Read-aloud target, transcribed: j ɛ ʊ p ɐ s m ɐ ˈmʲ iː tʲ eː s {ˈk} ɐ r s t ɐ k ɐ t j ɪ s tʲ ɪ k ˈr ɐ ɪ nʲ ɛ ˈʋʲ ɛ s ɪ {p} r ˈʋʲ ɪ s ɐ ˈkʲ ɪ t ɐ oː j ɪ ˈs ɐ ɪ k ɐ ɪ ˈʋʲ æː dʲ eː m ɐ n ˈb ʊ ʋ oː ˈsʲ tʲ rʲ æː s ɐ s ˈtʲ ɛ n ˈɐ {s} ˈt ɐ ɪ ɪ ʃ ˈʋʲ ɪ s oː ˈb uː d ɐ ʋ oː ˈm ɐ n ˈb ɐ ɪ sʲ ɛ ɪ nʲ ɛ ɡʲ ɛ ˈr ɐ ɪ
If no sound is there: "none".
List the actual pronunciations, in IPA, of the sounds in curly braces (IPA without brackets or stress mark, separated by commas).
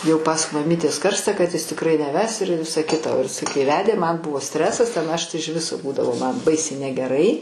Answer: k, none, ʃ